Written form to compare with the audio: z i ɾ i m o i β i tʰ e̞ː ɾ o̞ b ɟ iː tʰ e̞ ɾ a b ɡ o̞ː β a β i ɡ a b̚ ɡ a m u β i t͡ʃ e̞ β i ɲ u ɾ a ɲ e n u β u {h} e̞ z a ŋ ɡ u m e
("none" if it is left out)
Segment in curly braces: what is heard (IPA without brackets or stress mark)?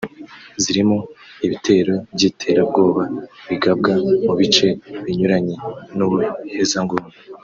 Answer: h